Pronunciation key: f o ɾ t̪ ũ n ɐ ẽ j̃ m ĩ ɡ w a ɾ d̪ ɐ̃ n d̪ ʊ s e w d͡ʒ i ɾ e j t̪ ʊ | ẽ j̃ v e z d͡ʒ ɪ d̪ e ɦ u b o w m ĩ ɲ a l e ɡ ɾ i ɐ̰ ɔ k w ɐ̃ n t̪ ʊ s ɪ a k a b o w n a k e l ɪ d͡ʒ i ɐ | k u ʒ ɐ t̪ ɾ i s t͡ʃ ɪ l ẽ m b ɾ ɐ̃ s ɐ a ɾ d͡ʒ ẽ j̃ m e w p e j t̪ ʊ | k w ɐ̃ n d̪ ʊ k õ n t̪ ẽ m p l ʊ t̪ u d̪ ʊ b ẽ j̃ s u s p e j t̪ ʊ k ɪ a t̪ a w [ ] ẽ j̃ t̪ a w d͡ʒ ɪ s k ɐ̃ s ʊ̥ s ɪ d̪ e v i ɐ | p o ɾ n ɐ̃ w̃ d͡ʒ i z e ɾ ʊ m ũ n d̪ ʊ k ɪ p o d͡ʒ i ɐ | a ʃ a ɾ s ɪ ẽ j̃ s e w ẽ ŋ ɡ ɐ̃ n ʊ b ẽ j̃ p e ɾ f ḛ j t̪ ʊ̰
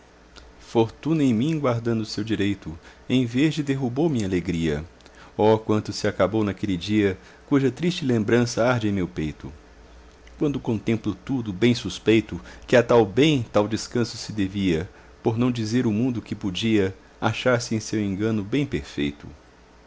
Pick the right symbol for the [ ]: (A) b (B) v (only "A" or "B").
A